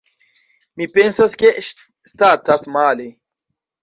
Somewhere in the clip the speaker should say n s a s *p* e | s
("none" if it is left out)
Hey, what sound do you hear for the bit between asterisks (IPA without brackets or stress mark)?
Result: k